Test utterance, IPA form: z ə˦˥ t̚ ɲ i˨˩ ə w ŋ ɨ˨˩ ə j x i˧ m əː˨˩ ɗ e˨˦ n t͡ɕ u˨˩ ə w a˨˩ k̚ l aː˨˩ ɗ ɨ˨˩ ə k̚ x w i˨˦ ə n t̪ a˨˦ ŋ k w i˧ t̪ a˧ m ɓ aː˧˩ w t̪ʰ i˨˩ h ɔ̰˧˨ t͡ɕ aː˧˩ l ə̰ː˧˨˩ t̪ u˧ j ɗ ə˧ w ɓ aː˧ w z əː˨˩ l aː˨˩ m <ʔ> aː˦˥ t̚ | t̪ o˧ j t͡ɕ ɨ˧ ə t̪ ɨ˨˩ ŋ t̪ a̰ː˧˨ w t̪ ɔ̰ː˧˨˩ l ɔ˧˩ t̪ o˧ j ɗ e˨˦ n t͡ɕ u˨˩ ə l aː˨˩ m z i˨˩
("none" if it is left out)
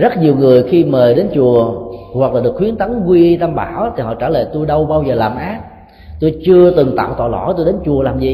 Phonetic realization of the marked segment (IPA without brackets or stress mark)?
ʔ